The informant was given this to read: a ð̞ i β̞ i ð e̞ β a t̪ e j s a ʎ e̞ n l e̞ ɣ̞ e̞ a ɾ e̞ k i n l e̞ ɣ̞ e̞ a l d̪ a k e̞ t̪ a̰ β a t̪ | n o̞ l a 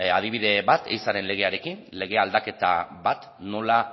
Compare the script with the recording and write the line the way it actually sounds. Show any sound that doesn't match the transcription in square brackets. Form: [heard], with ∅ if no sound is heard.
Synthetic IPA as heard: a ð̞ i β̞ i ð e̞ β a t̪ e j s a [ɾ] e̞ n l e̞ ɣ̞ e̞ a ɾ e̞ k i n l e̞ ɣ̞ e̞ a l d̪ a k e̞ t̪ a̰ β a t̪ | n o̞ l a